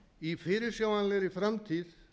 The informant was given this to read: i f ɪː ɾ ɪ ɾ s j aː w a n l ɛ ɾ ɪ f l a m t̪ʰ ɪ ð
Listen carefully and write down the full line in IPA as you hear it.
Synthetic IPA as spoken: i f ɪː ɾ ɪ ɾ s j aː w a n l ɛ ɾ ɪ f ɾ a m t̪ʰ i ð